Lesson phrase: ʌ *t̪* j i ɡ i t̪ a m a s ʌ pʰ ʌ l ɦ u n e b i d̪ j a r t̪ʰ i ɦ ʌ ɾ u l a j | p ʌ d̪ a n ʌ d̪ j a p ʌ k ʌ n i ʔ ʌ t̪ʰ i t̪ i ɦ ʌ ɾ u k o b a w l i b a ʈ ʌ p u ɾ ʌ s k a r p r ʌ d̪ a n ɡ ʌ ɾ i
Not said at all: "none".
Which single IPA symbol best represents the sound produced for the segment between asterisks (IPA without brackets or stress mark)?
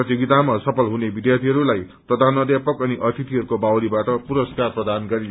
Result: t̪